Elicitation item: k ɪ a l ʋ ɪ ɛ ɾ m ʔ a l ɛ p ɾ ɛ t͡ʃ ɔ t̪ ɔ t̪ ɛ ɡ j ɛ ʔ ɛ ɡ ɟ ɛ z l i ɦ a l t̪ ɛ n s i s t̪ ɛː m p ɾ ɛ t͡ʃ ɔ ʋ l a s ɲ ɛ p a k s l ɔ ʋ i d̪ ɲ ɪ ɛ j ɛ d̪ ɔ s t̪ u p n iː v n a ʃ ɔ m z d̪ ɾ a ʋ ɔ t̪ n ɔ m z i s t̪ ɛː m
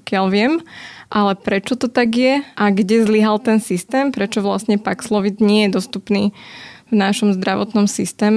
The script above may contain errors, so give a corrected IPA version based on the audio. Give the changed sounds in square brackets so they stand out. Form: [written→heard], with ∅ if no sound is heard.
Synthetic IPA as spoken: k ɪ a l ʋ ɪ ɛ [ɾ→∅] m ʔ a l ɛ p ɾ ɛ t͡ʃ ɔ t̪ ɔ t̪ [ɛ→a] ɡ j ɛ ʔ [ɛ→a] ɡ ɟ ɛ z l i ɦ a l t̪ ɛ n s i s t̪ ɛː m p ɾ ɛ t͡ʃ ɔ ʋ l a s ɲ ɛ p a k s l ɔ ʋ i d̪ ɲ ɪ ɛ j ɛ d̪ ɔ s t̪ u p n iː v n a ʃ ɔ m z d̪ ɾ a ʋ ɔ t̪ n ɔ m [z→s] i s t̪ ɛː m